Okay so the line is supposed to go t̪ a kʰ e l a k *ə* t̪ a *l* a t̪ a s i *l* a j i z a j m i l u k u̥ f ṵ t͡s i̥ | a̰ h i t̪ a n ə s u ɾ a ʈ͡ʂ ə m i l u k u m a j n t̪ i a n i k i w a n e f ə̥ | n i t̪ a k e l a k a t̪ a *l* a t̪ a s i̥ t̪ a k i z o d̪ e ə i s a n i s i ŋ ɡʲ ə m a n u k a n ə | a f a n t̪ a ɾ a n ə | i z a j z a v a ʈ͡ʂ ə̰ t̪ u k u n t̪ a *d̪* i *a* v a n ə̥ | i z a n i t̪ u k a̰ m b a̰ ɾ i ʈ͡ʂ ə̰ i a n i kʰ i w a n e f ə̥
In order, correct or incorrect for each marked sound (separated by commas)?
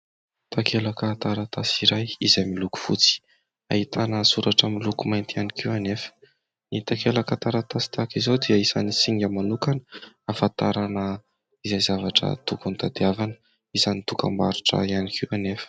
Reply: incorrect, incorrect, incorrect, incorrect, correct, correct